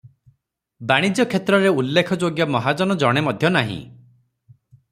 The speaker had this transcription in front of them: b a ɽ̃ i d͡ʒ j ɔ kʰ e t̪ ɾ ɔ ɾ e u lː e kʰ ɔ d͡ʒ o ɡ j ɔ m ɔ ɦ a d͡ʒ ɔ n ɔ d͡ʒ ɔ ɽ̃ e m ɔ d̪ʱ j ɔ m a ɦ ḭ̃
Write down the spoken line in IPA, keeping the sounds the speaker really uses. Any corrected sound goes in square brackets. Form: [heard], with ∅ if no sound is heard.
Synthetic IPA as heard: b a ɽ̃ i d͡ʒ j ɔ kʰ e t̪ ɾ ɔ ɾ e u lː e kʰ ɔ d͡ʒ o ɡ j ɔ m ɔ ɦ a d͡ʒ ɔ n ɔ d͡ʒ ɔ ɽ̃ e m ɔ d̪ʱ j ɔ [n] a ɦ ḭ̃